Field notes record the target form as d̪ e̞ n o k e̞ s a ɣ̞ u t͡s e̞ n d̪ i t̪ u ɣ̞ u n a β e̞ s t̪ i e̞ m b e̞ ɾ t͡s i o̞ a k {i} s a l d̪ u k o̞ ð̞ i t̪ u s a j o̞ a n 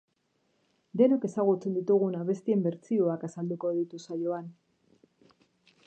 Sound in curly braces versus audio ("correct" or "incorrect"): incorrect